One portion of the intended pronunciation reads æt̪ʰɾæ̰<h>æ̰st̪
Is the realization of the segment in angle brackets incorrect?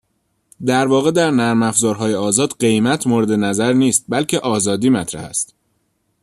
no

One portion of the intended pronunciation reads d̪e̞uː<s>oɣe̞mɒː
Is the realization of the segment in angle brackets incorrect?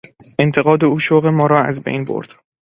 yes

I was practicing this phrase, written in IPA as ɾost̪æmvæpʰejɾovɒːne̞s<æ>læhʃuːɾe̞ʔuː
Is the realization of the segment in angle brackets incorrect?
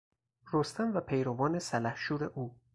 no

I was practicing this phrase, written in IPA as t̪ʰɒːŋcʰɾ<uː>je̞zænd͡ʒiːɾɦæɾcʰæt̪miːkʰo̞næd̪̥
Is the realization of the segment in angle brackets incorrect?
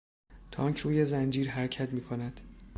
no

